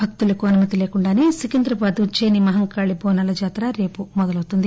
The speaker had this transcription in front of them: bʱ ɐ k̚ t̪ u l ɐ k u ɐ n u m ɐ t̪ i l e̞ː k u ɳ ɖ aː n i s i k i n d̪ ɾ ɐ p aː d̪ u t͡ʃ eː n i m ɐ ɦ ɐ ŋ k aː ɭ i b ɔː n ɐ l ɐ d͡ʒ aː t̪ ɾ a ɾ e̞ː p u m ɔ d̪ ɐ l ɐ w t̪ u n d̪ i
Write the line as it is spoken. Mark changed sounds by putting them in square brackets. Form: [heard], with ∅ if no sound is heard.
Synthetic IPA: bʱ ɐ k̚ t̪ u l ɐ k u ɐ n u m ɐ t̪ i l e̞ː k u ɳ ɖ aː n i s i k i n d̪ ɾ ɐ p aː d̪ u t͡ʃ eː n i m ɐ ɦ ɐ ŋ k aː ɭ i b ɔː n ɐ l ɐ d͡ʒ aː t̪ ɾ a ɾ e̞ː p u m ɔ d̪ ɐ l ɐ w t̪ u n d̪ i

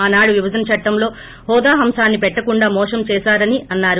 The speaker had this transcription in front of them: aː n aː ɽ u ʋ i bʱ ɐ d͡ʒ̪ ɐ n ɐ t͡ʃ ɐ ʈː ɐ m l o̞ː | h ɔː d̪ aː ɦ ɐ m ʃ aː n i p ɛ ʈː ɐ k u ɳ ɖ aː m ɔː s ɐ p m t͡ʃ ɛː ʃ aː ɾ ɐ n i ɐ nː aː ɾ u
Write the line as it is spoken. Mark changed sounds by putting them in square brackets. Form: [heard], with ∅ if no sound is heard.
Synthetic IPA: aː n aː ɽ u ʋ i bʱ ɐ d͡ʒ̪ ɐ n ɐ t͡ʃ ɐ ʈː ɐ m l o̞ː | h ɔː d̪ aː ɦ ɐ m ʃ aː [nː] i p ɛ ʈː ɐ k u ɳ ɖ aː m ɔː [ʂ] ɐ [∅] m t͡ʃ ɛː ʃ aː ɾ ɐ n i ɐ nː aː ɾ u

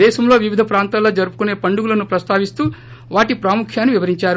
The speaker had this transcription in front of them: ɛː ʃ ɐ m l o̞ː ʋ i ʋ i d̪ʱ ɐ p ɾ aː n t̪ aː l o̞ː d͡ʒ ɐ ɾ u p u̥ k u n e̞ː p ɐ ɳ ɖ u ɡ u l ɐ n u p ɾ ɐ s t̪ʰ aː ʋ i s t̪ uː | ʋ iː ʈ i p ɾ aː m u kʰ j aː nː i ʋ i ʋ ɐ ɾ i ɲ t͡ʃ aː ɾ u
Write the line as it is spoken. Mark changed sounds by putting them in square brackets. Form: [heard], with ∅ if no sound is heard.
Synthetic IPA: ɛː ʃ ɐ m l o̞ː ʋ i ʋ i d̪ʱ ɐ p ɾ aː n t̪ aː l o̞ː d͡ʒ ɐ ɾ u p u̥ k u n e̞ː p ɐ ɳ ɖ u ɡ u l ɐ n u p ɾ ɐ s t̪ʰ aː ʋ i s t̪ uː | ʋ [aː] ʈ i p ɾ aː m u kʰ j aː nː i ʋ i ʋ ɐ ɾ i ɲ t͡ʃ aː ɾ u

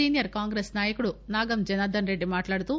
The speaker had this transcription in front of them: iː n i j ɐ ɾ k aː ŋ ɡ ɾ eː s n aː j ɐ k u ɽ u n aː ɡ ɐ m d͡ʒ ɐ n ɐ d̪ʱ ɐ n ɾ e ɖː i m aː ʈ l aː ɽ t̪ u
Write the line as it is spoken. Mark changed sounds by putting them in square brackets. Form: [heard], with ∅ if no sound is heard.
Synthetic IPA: iː n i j ɐ ɾ k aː ŋ ɡ ɾ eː s n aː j ɐ k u ɽ u n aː ɡ ɐ m d͡ʒ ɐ n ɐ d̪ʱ ɐ n ɾ e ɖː i m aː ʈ l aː ɽ t̪ u

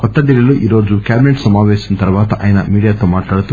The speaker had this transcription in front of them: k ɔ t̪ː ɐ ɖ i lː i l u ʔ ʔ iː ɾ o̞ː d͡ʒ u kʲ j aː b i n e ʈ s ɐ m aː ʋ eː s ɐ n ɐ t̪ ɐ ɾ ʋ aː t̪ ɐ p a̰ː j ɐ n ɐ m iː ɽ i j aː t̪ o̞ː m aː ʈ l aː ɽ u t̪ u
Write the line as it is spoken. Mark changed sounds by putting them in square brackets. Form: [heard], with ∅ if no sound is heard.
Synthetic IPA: k ɔ t̪ː ɐ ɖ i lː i l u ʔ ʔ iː ɾ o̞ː d͡ʒ u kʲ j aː b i n e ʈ s ɐ m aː ʋ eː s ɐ n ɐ t̪ ɐ ɾ ʋ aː t̪ ɐ [ʔ] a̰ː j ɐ n ɐ m iː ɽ i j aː t̪ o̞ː m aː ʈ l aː ɽ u t̪ u

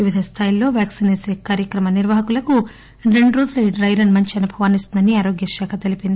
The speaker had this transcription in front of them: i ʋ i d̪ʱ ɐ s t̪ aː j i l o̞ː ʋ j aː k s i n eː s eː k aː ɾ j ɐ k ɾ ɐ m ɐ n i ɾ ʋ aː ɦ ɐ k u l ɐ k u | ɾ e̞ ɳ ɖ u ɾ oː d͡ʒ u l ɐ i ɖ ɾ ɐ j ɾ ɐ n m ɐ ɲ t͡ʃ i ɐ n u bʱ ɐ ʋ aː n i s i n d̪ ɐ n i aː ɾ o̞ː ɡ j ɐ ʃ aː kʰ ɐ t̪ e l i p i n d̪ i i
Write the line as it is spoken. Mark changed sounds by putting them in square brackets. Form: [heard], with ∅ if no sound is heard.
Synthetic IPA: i ʋ i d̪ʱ ɐ s [t̪ʰ] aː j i l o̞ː ʋ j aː k s i n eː s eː k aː ɾ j ɐ k ɾ ɐ m ɐ n i ɾ ʋ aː ɦ ɐ k u l ɐ k u | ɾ e̞ ɳ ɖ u ɾ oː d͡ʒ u l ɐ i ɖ ɾ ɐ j ɾ ɐ n m ɐ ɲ t͡ʃ i ɐ n u bʱ ɐ ʋ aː n i s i n d̪ ɐ n i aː ɾ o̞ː ɡ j ɐ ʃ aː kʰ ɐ t̪ e l i p i n d̪ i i

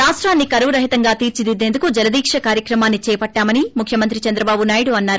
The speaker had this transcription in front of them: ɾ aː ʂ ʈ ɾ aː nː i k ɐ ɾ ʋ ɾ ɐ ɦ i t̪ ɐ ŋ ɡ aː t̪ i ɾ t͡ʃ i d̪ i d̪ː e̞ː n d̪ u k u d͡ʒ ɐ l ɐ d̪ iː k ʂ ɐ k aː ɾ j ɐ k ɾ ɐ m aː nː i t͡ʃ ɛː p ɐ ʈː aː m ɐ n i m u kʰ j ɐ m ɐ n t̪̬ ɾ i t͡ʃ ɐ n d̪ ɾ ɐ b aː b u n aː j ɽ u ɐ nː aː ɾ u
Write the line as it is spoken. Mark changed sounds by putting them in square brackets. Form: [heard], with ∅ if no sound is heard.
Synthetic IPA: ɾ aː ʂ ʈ ɾ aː nː i k ɐ ɾ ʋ ɾ ɐ ɦ i t̪ ɐ ŋ ɡ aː t̪ [iː] ɾ t͡ʃ i d̪ i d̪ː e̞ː n d̪ u k u d͡ʒ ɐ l ɐ d̪ iː k ʂ ɐ k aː ɾ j ɐ k ɾ ɐ m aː nː i t͡ʃ ɛː p ɐ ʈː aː m ɐ n i m u kʰ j ɐ m ɐ n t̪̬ ɾ i t͡ʃ ɐ n d̪ ɾ ɐ b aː b u n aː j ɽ u ɐ nː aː ɾ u

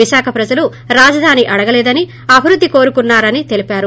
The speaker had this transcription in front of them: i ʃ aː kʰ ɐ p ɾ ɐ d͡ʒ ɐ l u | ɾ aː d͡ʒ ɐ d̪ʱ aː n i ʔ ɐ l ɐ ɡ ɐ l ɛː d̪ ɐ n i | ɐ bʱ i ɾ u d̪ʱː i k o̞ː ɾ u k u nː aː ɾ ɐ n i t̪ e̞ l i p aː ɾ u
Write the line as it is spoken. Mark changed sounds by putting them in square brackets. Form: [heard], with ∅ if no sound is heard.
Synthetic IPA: i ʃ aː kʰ ɐ p ɾ ɐ d͡ʒ ɐ l u | ɾ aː d͡ʒ ɐ d̪ʱ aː n i ʔ ɐ [ɽ] ɐ ɡ ɐ l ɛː d̪ ɐ n i | ɐ bʱ i ɾ u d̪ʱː i k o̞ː ɾ u k u nː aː ɾ ɐ n i t̪ e̞ l i p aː ɾ u

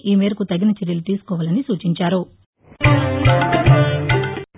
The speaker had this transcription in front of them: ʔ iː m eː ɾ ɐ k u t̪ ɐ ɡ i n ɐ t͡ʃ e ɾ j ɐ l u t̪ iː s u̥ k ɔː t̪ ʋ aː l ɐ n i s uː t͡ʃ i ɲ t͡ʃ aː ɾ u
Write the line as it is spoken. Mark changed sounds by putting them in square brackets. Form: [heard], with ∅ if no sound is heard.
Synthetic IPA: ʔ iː m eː ɾ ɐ k u t̪ ɐ ɡ i n ɐ t͡ʃ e ɾ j ɐ l u t̪ iː s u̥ k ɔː [∅] ʋ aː l ɐ n i s uː t͡ʃ i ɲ t͡ʃ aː ɾ u

